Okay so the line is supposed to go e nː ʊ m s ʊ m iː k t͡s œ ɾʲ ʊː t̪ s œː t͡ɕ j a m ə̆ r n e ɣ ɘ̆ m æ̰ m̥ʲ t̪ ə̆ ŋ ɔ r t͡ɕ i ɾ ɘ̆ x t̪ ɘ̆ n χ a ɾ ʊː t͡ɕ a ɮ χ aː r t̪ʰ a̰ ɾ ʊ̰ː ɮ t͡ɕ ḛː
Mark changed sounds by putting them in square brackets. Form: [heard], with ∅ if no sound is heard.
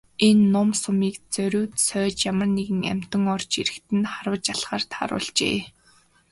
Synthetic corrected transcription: e nː ʊ m s ʊ m iː k t͡s œ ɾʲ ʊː t̪ s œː t͡ɕ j a m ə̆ r n e ɣ ɘ̆ [ŋ] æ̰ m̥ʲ t̪ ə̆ ŋ ɔ r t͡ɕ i ɾ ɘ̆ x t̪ ɘ̆ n χ a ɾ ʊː t͡ɕ a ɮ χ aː r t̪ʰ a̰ ɾ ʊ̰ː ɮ t͡ɕ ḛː